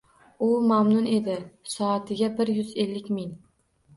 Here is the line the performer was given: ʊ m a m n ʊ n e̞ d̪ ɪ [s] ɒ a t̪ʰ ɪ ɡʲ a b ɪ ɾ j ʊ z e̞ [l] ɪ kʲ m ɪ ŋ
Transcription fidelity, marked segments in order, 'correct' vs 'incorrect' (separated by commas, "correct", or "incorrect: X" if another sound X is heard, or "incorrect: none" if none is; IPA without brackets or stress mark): correct, incorrect: lː